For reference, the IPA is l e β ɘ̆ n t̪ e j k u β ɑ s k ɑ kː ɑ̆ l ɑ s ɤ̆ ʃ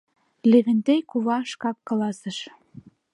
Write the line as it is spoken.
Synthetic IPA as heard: l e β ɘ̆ n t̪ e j k u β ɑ ʃ k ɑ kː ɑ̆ l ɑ s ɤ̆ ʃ